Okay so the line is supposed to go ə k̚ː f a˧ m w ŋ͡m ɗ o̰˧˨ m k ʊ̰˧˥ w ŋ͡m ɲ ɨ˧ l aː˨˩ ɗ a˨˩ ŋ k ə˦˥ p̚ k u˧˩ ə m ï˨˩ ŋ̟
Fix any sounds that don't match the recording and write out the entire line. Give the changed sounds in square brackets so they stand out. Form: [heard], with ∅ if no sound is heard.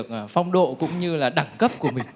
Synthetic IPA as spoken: ə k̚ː f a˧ [∅] w ŋ͡m ɗ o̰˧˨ [∅] k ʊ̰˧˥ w ŋ͡m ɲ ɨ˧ l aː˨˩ ɗ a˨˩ ŋ k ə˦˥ p̚ k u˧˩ ə m ï˨˩ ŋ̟